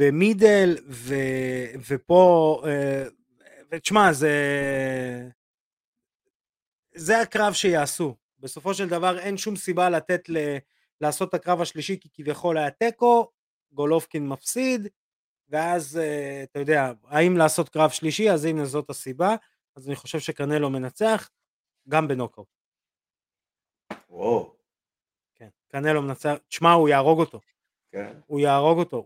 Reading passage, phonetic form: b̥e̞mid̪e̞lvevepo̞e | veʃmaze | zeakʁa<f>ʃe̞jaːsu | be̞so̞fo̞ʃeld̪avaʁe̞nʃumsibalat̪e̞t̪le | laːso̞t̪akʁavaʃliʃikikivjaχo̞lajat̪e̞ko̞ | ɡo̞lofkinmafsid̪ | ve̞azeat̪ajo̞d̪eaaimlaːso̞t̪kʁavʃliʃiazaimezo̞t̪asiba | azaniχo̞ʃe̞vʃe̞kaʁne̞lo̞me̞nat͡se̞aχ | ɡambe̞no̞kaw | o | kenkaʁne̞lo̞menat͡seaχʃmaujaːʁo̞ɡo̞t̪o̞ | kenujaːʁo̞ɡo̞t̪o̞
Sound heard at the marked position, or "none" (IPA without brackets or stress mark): v